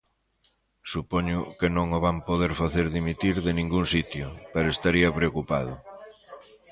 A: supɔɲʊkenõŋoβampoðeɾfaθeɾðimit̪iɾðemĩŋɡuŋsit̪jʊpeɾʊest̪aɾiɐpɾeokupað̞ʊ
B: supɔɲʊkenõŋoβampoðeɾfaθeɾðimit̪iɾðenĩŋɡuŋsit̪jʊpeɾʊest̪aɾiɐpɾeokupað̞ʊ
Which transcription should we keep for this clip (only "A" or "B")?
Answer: B